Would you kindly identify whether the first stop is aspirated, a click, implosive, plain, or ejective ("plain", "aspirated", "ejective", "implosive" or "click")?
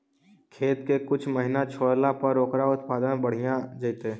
aspirated